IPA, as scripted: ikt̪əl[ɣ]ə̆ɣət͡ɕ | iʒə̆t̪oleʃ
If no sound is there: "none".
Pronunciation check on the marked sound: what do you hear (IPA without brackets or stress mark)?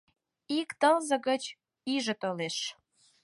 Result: z